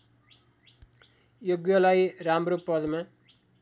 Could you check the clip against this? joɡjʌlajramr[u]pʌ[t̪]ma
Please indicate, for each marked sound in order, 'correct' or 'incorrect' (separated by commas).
incorrect, incorrect